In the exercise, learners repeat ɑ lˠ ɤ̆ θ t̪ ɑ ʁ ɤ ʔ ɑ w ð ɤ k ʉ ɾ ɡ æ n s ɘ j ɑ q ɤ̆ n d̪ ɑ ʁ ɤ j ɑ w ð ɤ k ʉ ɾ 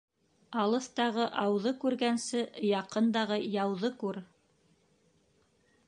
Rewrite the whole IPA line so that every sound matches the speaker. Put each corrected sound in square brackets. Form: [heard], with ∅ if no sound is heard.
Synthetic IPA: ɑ lˠ ɤ̆ θ t̪ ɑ ʁ ɤ ʔ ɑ w ð ɤ k ʉ ɾ ɡ æ n s ɘ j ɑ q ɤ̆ n d̪ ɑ ʁ ɤ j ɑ w ð ɤ k ʉ ɾ